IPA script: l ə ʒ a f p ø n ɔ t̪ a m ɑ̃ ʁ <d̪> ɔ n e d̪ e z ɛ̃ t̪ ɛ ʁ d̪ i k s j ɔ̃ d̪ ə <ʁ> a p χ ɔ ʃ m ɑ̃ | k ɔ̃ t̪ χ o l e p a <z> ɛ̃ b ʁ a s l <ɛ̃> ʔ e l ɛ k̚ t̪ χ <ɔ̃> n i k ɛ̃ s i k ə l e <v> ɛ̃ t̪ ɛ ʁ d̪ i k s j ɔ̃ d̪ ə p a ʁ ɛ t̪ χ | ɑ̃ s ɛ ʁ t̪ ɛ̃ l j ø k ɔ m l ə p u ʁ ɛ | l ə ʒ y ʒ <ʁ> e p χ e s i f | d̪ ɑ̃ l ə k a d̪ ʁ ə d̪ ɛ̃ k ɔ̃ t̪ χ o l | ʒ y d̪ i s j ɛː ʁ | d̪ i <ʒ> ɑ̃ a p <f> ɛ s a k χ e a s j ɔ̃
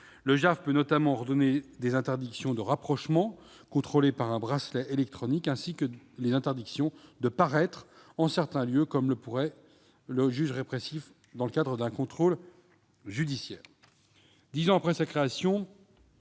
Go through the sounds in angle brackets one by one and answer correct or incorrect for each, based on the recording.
correct, correct, incorrect: ʁ, incorrect: ɛ, incorrect: ɔ, incorrect: z, correct, incorrect: z, incorrect: χ

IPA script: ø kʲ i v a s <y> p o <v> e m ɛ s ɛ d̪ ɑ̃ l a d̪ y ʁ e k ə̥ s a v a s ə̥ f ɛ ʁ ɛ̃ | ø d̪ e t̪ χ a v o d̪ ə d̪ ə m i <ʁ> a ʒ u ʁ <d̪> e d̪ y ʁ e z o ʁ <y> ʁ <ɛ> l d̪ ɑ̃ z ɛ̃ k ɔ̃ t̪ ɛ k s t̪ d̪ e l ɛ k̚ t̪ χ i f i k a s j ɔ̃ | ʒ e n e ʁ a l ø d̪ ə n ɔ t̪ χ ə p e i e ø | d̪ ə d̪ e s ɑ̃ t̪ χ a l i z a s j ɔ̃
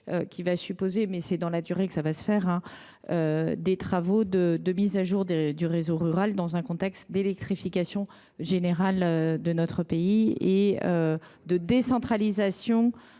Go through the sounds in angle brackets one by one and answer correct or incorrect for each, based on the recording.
correct, incorrect: z, incorrect: z, correct, correct, incorrect: a

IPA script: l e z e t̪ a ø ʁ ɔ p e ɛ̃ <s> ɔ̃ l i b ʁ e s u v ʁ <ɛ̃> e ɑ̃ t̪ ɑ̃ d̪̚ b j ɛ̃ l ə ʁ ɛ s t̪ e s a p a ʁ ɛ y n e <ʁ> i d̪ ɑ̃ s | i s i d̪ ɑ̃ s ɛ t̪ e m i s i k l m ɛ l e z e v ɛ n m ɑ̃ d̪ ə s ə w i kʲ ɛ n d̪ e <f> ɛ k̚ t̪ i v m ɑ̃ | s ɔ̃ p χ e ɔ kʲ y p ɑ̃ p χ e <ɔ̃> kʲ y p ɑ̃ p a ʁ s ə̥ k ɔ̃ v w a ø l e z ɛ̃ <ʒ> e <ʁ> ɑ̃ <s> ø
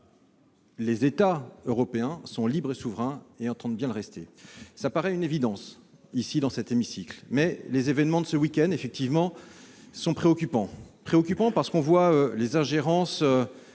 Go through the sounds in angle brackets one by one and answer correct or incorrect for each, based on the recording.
correct, correct, incorrect: v, correct, incorrect: ɔ, correct, correct, correct

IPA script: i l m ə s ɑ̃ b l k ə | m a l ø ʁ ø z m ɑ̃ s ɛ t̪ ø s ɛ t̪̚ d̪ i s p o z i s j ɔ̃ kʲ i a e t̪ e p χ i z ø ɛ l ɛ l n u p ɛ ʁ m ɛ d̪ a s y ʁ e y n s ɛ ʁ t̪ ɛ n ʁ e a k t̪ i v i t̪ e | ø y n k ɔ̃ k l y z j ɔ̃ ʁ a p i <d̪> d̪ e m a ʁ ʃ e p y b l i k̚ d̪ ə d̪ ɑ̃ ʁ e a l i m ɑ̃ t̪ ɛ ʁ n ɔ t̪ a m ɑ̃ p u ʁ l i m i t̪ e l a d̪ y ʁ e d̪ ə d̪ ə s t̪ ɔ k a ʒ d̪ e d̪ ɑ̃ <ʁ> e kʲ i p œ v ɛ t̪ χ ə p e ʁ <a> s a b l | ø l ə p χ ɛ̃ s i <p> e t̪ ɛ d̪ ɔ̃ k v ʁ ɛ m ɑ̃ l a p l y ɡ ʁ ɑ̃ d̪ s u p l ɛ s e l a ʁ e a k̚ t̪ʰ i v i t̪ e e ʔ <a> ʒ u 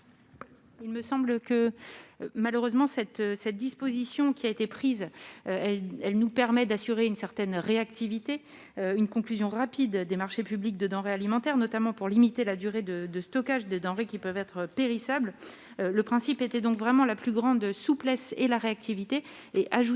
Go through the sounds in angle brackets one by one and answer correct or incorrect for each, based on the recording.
correct, correct, incorrect: i, correct, correct

